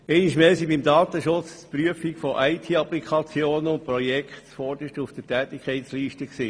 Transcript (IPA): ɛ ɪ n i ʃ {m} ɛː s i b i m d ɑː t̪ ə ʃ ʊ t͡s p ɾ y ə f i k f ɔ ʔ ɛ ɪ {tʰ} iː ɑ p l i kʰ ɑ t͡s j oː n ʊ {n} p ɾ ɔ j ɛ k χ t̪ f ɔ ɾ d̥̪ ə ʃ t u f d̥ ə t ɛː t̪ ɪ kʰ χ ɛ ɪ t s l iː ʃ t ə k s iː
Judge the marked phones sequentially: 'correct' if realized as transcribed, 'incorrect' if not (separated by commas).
correct, correct, correct